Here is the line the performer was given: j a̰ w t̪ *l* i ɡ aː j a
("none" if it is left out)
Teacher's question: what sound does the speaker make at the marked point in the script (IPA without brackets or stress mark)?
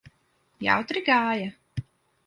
ɾ